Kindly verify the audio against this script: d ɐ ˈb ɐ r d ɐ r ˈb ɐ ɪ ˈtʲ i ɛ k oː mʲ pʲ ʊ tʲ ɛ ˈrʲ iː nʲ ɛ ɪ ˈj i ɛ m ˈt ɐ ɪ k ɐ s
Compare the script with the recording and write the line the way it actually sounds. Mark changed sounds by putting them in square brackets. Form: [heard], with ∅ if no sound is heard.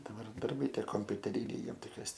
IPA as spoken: d ɐ ˈb ɐ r d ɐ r ˈb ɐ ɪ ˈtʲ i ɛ k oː mʲ pʲ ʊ tʲ ɛ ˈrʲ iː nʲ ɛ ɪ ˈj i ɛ m ˈt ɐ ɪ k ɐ s